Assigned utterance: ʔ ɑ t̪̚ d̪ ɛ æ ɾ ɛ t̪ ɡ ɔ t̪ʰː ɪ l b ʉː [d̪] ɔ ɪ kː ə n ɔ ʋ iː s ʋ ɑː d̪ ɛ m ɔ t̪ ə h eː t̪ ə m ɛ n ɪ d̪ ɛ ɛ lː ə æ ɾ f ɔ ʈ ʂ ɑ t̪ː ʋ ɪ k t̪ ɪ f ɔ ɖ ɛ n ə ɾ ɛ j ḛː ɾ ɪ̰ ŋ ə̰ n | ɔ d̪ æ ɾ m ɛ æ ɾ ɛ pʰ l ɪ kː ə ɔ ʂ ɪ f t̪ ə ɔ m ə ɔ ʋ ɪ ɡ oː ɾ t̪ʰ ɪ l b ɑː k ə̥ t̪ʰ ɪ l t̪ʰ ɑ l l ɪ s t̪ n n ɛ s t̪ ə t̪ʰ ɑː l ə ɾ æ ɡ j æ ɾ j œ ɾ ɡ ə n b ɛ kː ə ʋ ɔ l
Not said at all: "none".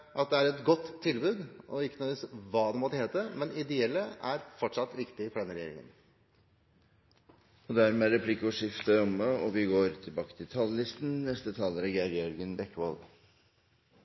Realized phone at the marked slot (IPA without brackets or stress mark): d̪